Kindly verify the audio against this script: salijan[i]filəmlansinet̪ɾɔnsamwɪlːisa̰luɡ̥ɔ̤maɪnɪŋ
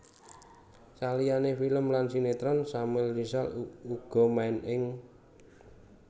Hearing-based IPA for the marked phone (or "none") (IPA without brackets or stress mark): e